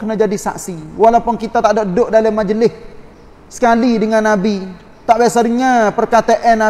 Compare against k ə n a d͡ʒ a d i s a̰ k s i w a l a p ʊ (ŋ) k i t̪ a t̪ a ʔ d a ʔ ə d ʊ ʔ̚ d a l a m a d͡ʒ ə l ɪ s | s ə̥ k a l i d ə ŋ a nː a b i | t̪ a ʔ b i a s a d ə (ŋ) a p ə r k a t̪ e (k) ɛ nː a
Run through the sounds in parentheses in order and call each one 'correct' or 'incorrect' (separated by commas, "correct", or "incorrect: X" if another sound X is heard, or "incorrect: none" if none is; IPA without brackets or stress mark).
incorrect: n, correct, incorrect: ʔ